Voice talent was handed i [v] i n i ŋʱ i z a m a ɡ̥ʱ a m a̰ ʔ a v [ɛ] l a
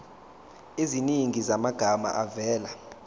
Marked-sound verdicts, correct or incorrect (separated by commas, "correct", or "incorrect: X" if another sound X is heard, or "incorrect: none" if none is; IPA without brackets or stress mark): incorrect: z, incorrect: ɛː